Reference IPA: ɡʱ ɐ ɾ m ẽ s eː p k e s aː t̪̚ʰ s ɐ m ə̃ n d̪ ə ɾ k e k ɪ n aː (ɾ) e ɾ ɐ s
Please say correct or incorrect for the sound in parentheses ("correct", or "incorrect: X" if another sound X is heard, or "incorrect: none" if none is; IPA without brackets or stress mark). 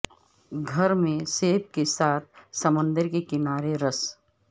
correct